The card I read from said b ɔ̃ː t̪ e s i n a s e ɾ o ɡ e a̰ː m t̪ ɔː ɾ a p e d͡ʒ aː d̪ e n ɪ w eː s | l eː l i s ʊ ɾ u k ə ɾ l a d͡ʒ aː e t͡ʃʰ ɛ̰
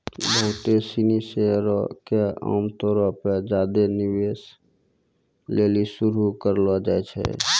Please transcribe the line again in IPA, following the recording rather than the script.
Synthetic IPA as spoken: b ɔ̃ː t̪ e s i n i s e ɾ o k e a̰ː m t̪ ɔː ɾ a p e d͡ʒ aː d̪ e n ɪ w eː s | l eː l i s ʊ ɾ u k ə ɾ l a d͡ʒ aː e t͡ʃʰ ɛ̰